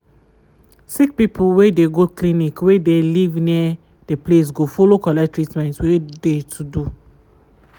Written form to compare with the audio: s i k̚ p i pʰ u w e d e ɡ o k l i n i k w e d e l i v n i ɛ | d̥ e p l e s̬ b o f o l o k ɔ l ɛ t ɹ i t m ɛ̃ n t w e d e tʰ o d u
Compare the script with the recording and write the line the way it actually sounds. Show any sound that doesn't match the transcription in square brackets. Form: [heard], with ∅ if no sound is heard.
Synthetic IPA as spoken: s i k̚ p i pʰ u w e d e ɡ o k l i n i k w e d e l i v n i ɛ | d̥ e p l e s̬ [ɡ] o f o l o k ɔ l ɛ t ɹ i t m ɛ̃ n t w e d e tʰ [u] d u